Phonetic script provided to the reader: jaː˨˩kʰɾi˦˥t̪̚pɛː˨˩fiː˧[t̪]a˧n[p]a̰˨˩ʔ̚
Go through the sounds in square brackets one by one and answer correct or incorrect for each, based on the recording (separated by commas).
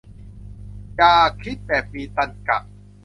correct, incorrect